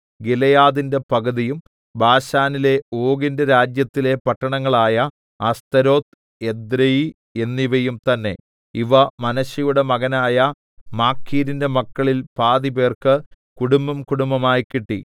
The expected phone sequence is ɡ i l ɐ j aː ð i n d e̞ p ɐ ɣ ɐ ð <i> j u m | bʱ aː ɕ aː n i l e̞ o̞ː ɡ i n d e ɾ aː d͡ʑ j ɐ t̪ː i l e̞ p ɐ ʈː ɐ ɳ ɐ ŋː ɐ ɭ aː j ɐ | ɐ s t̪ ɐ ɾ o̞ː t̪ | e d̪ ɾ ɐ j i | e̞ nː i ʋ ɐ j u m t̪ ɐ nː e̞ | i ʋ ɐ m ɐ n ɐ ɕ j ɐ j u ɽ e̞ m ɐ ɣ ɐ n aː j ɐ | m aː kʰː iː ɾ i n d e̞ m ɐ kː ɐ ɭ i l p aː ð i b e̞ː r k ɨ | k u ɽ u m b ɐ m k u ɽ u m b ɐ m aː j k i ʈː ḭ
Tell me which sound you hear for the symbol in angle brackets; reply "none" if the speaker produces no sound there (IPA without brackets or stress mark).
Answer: i